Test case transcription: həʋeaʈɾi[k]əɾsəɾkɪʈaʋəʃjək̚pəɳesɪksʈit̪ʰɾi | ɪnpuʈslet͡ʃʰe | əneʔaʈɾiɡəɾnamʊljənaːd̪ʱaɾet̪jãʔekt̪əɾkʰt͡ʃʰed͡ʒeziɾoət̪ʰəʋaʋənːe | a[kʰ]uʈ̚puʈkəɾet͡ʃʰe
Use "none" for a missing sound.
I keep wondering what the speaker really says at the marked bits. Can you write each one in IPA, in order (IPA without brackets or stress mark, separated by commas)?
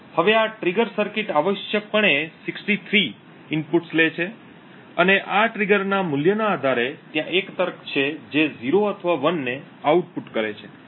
ɡ, none